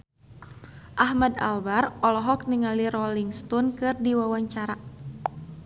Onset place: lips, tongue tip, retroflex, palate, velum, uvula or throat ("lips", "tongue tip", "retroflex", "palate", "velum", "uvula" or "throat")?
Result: throat